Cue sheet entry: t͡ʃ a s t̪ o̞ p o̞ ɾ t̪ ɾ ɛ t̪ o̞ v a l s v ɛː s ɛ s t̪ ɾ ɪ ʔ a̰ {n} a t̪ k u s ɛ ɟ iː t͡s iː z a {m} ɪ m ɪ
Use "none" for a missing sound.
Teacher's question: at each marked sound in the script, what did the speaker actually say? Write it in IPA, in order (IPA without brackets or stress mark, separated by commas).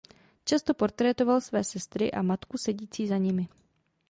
m, ɲ